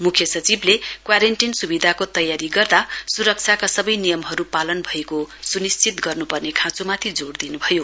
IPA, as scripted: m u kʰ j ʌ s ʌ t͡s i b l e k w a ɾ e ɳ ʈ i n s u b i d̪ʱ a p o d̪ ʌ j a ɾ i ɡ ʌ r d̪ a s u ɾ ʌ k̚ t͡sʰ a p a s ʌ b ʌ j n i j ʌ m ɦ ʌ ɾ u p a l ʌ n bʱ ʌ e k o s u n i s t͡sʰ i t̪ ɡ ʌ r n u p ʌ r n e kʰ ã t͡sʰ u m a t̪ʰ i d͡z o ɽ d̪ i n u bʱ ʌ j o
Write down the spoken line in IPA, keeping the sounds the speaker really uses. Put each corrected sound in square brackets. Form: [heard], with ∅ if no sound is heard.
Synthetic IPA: m u kʰ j ʌ s ʌ t͡s i b l e k w a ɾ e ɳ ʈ i n s u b i d̪ʱ a [k] o [t̪] ʌ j a ɾ i ɡ ʌ r d̪ a s u ɾ ʌ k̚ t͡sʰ a [k] a s ʌ b ʌ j n i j ʌ m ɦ ʌ ɾ u p a l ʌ n bʱ ʌ e k o s u n i s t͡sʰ i t̪ ɡ ʌ r n u p ʌ r n e kʰ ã [t͡s] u m a t̪ʰ i d͡z o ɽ d̪ i n u bʱ ʌ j o